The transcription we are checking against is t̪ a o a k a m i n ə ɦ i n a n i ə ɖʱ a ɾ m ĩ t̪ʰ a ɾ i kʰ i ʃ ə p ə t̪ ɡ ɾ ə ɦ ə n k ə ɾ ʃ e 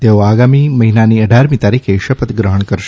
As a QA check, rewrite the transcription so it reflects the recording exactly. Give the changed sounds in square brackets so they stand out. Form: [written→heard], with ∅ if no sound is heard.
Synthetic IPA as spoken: t̪ [a→e] o a [k→ɡ] a m i [n→m] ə ɦ i n a n i ə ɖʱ a ɾ m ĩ [t̪ʰ→t̪] a ɾ i kʰ [i→e] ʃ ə p ə t̪ ɡ ɾ ə ɦ ə [n→ɳ] k ə ɾ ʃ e